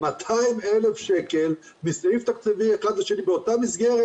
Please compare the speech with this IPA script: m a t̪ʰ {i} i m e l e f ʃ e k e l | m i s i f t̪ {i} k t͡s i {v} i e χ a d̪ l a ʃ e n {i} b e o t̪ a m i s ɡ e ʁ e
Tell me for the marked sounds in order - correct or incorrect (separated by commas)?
incorrect, incorrect, correct, correct